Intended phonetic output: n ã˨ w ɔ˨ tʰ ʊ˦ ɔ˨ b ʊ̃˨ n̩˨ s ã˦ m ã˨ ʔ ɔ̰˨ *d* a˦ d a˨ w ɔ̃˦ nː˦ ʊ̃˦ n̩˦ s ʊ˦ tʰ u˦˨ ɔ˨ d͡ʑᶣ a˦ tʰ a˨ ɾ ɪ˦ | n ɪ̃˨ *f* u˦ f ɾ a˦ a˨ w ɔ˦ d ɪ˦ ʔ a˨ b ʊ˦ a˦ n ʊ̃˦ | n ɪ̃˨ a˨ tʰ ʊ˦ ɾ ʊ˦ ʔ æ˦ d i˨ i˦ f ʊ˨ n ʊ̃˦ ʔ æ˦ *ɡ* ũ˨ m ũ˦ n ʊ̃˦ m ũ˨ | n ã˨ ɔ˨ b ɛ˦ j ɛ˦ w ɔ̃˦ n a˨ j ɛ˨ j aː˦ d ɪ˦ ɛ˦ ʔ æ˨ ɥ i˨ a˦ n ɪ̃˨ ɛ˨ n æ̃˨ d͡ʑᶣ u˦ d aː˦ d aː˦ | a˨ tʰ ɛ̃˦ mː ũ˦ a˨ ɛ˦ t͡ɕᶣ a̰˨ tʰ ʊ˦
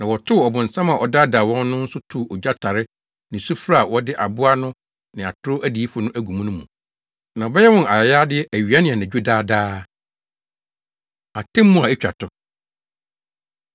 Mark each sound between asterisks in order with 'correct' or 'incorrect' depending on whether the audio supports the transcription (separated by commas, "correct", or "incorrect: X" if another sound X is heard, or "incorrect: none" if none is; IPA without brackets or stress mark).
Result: correct, incorrect: s, correct